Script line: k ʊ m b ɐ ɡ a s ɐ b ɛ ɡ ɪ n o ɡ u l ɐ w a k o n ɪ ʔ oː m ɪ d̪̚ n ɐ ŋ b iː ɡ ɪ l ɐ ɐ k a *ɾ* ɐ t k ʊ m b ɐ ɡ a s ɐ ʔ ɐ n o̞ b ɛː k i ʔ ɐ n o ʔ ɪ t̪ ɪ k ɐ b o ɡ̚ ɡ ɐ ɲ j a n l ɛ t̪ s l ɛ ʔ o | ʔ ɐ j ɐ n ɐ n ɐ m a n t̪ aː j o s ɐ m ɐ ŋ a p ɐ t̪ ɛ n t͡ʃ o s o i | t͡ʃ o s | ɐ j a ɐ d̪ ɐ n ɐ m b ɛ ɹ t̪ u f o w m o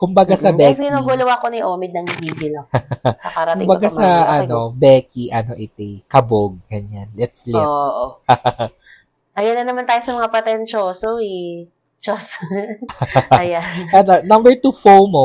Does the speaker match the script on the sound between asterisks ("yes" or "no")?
yes